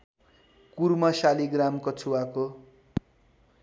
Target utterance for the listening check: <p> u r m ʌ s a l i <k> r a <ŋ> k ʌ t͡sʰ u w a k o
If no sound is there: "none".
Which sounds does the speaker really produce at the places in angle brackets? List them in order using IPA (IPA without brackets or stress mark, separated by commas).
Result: k, ɡ, m